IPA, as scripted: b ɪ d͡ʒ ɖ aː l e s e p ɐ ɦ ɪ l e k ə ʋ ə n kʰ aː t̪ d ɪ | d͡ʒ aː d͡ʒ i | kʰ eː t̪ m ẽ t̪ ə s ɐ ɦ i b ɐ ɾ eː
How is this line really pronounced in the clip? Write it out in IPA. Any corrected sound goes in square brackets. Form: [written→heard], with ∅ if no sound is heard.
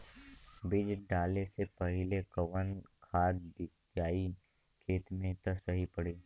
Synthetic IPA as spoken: b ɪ d͡ʒ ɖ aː l e s e p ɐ ɦ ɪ l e k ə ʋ ə n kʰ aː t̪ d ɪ | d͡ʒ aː [d͡ʒ→∅] i | kʰ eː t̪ m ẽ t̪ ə s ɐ ɦ i [b→p] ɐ [ɾ→ɽ] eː